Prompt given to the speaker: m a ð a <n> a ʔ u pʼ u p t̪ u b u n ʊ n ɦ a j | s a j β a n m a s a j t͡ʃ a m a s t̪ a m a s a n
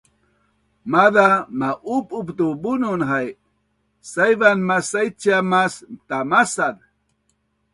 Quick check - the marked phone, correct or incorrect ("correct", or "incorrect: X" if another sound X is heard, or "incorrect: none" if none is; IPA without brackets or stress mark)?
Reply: incorrect: m